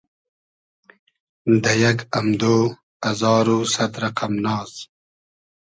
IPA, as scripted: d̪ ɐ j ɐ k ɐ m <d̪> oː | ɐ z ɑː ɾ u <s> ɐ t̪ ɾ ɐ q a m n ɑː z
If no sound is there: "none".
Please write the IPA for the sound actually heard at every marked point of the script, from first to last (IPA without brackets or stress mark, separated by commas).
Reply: d̪, s